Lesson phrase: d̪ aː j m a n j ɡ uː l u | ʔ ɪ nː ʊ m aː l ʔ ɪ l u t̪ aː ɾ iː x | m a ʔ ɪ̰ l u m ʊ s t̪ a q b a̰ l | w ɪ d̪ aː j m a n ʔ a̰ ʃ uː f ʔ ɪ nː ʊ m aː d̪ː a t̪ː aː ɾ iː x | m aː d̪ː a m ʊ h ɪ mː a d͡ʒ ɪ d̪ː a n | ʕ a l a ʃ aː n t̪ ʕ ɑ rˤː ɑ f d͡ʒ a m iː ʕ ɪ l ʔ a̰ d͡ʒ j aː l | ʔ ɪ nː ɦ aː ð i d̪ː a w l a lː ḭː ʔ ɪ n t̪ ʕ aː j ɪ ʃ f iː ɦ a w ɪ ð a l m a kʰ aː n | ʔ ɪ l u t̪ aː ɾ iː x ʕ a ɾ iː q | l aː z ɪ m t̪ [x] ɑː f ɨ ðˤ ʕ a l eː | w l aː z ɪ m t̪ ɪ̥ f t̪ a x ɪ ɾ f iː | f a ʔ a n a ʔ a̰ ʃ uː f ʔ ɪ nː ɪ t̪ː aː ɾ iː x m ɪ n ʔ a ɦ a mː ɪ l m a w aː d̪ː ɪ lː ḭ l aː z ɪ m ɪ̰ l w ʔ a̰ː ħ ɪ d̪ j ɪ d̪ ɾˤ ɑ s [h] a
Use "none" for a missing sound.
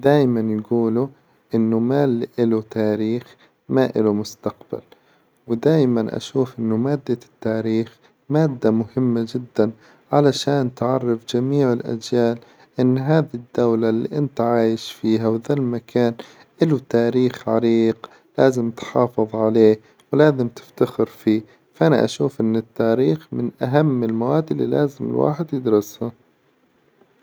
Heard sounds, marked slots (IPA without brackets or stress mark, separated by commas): ħ, h